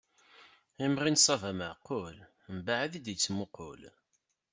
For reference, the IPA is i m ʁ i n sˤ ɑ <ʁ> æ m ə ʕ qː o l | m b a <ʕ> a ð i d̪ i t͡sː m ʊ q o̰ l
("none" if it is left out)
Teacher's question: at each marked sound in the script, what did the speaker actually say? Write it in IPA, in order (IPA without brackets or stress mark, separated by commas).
v, ʕ